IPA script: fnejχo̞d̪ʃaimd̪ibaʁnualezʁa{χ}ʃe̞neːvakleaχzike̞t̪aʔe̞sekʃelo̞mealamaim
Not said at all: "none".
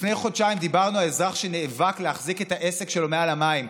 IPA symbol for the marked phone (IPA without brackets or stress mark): χ